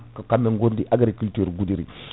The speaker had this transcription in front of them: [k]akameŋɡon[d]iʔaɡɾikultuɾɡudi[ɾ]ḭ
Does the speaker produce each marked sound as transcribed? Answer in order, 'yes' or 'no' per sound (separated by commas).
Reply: yes, yes, yes